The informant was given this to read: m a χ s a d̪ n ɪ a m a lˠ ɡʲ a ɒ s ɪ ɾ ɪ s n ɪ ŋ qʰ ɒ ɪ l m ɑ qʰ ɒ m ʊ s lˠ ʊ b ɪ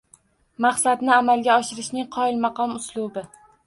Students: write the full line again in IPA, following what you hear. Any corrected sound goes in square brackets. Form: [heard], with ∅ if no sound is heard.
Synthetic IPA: m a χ s a d̪ n ɪ a m a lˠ ɡʲ a ɒ [ʃ] ɪ ɾ ɪ [ʃ] n ɪ ŋ qʰ ɒ ɪ l m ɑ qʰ ɒ m ʊ s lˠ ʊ b ɪ

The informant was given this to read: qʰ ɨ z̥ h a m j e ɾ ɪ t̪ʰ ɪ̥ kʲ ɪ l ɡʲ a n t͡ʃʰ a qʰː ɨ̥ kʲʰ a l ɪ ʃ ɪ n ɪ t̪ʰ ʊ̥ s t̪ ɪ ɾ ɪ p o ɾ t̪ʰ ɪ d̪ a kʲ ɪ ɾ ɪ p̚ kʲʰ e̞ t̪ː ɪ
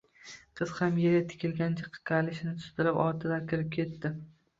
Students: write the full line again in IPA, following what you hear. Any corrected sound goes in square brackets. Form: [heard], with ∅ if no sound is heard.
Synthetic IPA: qʰ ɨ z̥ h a m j e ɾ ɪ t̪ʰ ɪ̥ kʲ ɪ l ɡʲ a n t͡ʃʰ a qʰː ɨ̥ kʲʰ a l ɪ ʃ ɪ n ɪ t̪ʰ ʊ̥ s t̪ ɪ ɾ ɪ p [ɒ] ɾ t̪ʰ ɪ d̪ a kʲ ɪ ɾ ɪ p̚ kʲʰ e̞ t̪ː ɪ

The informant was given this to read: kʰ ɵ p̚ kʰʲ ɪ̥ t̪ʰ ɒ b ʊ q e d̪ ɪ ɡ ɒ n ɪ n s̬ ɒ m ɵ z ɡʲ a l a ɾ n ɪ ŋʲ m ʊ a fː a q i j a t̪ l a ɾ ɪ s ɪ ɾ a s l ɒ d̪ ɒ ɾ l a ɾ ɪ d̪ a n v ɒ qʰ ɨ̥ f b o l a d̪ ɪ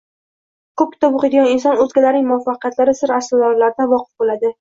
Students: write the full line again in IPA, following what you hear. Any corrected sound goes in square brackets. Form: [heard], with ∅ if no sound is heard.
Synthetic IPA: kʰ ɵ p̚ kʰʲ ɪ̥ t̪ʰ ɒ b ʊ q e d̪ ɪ ɡ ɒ n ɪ n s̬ ɒ [n] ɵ z ɡʲ a l a ɾ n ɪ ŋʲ m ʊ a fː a q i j a t̪ l a ɾ ɪ s ɪ ɾ a s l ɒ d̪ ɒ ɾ l a ɾ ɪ d̪ a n v ɒ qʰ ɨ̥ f b o l a d̪ ɪ

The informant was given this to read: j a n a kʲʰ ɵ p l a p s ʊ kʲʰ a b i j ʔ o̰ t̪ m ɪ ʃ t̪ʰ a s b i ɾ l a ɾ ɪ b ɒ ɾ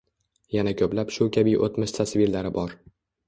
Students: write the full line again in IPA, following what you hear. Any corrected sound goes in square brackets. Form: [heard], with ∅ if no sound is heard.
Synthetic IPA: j a n a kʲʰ ɵ p l a p [ʃ] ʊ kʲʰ a b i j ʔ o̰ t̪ m ɪ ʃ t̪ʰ a s [v] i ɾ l a ɾ ɪ b ɒ ɾ

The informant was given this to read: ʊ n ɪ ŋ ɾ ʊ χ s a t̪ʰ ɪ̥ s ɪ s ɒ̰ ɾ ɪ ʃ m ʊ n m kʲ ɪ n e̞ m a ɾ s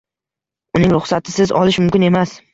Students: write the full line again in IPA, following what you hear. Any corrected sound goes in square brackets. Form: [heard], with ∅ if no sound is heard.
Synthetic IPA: ʊ n ɪ ŋ ɾ ʊ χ s a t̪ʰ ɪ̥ s ɪ [z] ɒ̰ [l] ɪ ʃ m ʊ [∅] m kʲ ɪ n e̞ m a [∅] s

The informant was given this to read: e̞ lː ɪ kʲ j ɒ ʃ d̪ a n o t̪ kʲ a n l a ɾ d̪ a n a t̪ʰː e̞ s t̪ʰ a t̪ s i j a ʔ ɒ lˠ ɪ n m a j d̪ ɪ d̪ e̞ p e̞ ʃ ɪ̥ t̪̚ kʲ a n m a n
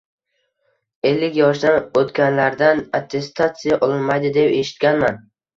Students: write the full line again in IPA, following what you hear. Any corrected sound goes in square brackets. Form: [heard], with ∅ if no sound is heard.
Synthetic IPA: e̞ lː ɪ kʲ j ɒ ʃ d̪ a n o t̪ kʲ a n l a ɾ d̪ a n a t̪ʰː e̞ s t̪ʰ a t̪ s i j a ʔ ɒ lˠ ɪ n m a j d̪ ɪ d̪ e̞ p e̞ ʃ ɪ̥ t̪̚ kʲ a n m a n

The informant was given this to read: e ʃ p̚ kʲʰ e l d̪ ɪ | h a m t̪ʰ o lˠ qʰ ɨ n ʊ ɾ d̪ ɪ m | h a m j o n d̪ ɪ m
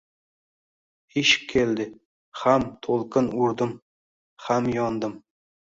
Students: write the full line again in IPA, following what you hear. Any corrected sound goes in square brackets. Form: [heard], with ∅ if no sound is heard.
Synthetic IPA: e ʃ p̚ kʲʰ e l d̪ ɪ | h a m t̪ʰ o lˠ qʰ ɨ n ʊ ɾ d̪ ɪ m | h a m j [ɒ] n d̪ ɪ m

